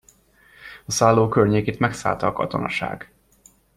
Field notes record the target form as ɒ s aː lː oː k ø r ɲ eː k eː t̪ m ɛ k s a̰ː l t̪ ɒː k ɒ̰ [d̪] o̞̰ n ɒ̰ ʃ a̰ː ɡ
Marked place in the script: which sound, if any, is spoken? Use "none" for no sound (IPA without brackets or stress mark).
t̪